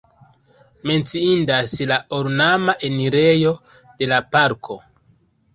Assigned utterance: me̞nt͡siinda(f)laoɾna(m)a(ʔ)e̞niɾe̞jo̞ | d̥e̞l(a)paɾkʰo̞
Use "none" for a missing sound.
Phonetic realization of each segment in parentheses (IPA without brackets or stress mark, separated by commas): s, m, ʔ, a